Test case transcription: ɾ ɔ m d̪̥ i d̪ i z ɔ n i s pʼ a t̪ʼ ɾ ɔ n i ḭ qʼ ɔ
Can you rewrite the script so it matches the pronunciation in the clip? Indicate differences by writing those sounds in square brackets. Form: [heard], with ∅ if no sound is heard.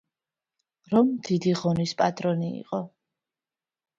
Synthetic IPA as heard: ɾ ɔ m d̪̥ i d̪ i [ʁ] ɔ n i s pʼ a t̪ʼ ɾ ɔ n i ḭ qʼ ɔ